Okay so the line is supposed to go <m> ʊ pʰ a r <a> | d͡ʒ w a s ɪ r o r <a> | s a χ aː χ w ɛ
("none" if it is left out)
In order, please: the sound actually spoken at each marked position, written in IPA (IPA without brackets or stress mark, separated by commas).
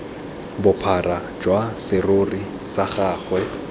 b, a, i